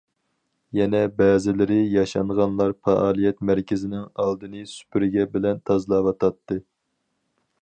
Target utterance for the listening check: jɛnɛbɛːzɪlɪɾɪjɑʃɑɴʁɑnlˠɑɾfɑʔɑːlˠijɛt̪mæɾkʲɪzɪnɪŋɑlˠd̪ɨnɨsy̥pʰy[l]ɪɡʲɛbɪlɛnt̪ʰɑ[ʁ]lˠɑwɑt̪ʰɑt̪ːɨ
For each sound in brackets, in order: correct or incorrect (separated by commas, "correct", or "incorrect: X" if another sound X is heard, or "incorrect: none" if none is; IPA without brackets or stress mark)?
incorrect: ɾ, incorrect: z